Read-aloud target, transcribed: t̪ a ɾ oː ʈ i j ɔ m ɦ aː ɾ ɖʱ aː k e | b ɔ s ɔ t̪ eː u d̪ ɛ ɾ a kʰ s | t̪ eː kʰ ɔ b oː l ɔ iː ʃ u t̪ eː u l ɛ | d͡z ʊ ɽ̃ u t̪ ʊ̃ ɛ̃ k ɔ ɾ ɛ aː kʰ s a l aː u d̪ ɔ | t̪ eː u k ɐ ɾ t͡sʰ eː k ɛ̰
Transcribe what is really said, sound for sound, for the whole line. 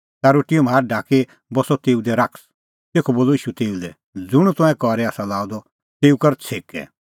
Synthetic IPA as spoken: t̪ a ɾ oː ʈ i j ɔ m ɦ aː ɾ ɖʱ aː k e | b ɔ s ɔ t̪ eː u d̪ ɛ ɾ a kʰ s | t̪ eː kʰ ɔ b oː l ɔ iː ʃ u t̪ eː u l ɛ | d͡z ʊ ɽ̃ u t̪ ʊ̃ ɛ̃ k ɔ ɾ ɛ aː s a l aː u d̪ ɔ | t̪ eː u k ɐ ɾ t͡sʰ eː k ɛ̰